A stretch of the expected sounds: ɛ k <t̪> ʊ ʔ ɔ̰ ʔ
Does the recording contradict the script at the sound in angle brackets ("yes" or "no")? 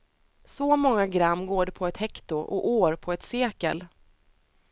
no